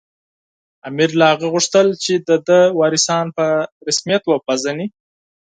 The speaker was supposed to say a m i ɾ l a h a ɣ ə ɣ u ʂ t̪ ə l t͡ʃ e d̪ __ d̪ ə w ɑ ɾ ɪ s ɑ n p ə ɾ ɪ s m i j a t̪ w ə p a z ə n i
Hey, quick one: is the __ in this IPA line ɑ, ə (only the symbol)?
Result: ə